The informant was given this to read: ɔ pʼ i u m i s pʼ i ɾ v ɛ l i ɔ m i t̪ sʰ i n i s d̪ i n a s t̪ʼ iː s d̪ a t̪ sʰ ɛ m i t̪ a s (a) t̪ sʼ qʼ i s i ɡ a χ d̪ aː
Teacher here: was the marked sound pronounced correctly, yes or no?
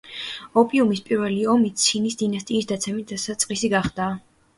yes